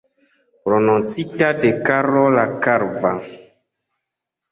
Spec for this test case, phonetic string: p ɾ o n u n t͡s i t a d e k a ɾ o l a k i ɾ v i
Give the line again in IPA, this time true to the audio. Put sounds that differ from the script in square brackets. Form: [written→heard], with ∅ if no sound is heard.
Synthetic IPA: p ɾ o n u n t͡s i t a d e k a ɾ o l a k [i→a] ɾ v [i→a]